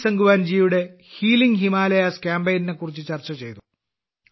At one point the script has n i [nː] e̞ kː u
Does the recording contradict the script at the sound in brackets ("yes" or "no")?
yes